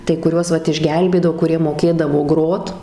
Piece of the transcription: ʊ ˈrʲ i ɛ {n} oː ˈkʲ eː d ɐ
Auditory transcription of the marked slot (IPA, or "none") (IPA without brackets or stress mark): m